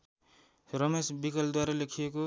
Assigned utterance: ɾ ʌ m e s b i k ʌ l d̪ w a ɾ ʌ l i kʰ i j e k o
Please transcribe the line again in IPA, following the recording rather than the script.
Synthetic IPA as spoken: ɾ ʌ m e s b i k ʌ l d̪ w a ɾ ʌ l e kʰ i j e k o